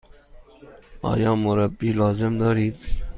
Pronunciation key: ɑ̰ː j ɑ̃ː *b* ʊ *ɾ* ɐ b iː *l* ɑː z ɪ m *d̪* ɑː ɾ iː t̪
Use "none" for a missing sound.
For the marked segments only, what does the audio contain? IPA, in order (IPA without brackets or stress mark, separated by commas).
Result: m, ɾ, l, d̪